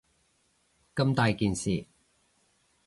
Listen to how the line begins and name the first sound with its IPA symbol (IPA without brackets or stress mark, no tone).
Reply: k